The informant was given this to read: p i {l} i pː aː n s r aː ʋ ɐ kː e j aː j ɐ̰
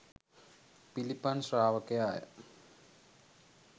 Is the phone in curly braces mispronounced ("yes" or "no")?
no